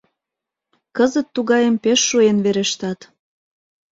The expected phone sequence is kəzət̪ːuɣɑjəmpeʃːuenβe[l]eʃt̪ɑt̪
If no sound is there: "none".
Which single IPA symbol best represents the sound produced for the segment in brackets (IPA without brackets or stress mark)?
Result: ɾ